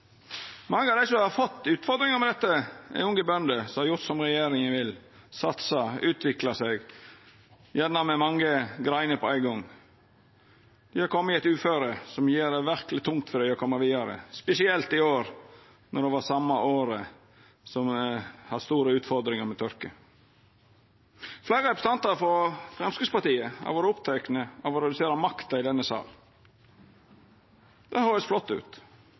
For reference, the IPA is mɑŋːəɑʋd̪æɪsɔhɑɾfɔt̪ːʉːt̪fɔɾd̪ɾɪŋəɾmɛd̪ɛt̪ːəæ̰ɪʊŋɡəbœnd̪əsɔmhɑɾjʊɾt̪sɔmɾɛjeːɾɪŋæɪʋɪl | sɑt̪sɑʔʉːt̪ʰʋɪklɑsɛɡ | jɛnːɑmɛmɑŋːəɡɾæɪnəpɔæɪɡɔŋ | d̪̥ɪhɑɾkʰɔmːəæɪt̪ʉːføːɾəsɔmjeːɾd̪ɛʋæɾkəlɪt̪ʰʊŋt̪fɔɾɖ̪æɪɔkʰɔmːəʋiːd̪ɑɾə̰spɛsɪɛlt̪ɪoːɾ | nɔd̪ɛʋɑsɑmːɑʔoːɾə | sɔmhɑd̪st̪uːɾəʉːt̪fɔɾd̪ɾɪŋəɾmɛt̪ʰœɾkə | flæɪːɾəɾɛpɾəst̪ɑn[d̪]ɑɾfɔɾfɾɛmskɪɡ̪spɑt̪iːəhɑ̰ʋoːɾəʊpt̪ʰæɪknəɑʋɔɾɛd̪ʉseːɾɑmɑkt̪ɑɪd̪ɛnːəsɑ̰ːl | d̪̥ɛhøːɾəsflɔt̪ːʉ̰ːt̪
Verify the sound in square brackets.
incorrect: t̪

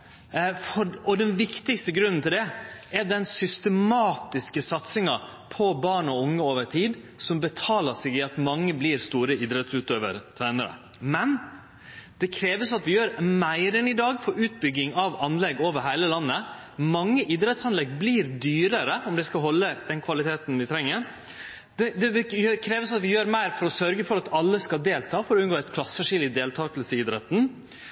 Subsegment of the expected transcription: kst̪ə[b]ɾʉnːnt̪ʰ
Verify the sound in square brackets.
incorrect: ɡ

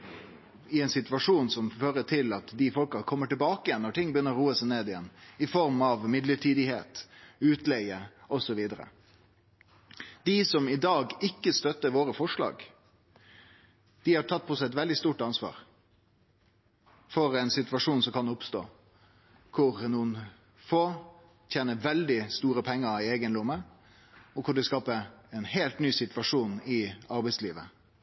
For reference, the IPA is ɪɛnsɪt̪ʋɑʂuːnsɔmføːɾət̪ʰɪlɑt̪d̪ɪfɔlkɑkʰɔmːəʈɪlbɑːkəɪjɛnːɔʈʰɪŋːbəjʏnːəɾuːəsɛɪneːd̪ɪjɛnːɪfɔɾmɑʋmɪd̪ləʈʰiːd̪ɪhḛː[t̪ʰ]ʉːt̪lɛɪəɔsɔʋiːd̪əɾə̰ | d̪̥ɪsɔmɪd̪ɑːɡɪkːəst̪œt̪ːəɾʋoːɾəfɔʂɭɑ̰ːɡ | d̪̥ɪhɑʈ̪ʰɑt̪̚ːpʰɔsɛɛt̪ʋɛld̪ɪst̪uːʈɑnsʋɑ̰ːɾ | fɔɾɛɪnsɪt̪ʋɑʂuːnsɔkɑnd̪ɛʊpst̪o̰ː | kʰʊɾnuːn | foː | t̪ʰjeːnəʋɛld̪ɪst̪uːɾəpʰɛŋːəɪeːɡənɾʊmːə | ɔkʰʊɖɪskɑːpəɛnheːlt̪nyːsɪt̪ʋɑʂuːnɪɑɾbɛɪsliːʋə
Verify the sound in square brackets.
incorrect: t̪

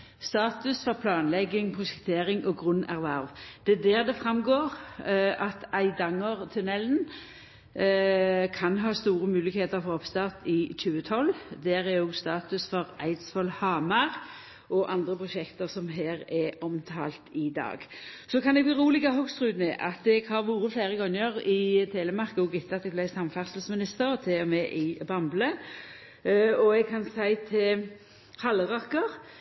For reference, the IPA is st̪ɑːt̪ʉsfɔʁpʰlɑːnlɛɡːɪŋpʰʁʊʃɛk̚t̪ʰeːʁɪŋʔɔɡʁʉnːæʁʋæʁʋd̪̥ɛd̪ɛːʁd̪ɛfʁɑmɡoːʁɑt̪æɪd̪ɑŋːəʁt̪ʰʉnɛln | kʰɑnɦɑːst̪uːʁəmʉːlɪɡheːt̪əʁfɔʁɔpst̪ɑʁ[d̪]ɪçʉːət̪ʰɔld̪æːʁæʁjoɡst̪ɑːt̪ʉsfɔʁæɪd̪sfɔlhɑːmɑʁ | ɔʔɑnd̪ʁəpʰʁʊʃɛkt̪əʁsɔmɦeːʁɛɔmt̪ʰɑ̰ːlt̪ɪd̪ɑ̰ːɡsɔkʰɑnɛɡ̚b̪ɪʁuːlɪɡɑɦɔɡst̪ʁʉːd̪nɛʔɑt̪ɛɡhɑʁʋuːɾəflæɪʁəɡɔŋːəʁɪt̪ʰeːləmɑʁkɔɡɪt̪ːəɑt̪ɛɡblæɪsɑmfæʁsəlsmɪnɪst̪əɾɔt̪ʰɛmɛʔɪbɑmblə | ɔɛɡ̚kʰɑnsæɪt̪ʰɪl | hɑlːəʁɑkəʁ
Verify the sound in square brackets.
incorrect: t̪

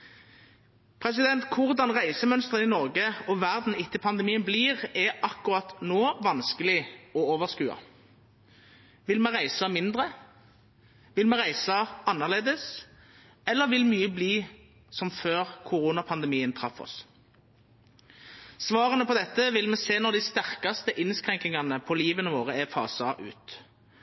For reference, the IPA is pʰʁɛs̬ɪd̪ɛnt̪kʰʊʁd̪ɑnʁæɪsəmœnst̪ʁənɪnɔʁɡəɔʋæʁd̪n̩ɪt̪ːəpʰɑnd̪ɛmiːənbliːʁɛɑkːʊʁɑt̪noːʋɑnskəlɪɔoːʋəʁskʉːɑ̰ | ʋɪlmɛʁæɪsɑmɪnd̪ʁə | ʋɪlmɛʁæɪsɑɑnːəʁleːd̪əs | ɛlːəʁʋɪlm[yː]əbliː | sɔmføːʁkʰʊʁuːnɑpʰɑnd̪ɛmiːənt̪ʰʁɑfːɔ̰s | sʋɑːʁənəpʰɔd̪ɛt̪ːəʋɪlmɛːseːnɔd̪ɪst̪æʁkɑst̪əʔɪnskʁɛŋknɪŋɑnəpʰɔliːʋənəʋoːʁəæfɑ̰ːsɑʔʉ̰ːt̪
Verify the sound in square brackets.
correct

